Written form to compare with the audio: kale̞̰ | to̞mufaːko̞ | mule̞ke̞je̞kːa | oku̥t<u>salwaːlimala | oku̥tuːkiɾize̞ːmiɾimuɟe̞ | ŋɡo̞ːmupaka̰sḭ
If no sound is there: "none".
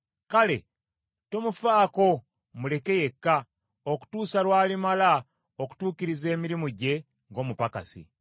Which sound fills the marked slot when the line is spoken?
uː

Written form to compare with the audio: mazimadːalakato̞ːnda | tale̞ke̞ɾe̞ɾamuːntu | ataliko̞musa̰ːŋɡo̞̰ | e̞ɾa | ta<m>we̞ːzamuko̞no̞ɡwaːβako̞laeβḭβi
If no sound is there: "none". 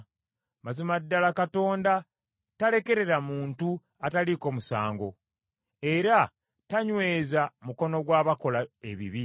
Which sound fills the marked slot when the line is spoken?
ɲ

